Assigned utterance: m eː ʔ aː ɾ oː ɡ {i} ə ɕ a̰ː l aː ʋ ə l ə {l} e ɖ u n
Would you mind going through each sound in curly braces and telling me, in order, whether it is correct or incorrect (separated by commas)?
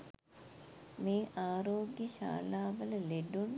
incorrect, correct